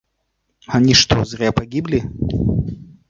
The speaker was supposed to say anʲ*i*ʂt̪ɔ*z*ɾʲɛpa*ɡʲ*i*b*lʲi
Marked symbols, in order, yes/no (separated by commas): yes, yes, yes, yes